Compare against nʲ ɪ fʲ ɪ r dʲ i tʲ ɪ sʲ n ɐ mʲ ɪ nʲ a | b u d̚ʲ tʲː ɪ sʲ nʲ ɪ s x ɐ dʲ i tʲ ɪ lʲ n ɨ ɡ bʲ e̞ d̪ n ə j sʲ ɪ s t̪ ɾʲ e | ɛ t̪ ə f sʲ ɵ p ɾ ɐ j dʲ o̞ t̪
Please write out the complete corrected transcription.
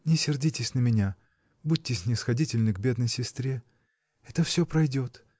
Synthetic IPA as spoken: nʲ ɪ sʲ ɪ r dʲ i tʲ ɪ sʲ n ə mʲ ɪ nʲ a | b u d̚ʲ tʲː ɪ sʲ nʲ ɪ s x ɐ dʲ i tʲ ɪ lʲ n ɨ ɡ bʲ e̞ d̪ n ə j sʲ ɪ s t̪ ɾʲ e | ɛ t̪ ə f sʲ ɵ p ɾ ɐ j dʲ o̞ t̪